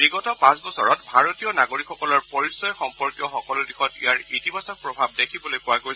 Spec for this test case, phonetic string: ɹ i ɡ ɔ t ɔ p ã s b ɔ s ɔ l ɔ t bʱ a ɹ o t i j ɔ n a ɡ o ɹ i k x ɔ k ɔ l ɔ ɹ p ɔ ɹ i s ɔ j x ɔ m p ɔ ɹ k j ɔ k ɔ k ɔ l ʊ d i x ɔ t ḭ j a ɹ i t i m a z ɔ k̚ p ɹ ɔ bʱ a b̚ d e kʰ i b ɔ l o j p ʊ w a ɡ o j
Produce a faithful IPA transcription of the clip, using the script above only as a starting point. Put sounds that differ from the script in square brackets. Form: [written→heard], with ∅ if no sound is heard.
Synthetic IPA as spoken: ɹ i ɡ ɔ t ɔ p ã s b ɔ s ɔ [l→ɹ] ɔ t bʱ a ɹ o t i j ɔ n a ɡ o ɹ i k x ɔ k ɔ l ɔ ɹ p ɔ ɹ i s ɔ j x ɔ m p ɔ ɹ k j ɔ [k→x] ɔ k ɔ l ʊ d i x ɔ t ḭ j a ɹ i t i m a [z→s] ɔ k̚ p ɹ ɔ bʱ a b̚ d e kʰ i b ɔ l o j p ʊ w a ɡ o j